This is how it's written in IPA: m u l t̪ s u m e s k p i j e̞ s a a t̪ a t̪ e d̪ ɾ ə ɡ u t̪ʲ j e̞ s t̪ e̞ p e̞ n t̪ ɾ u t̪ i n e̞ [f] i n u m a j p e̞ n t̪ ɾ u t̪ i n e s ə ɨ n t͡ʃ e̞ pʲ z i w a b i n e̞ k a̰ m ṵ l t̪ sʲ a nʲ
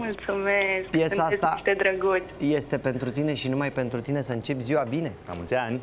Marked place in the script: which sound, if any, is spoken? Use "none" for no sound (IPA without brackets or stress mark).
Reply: ʃ